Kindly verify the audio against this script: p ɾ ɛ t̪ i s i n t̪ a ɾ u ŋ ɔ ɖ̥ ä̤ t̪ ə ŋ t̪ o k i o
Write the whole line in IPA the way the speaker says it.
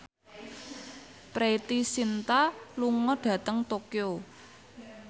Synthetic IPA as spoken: p ɾ e t̪ i s i n t̪ a l u ŋ ɔ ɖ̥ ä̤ t̪ ə ŋ t̪ o k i o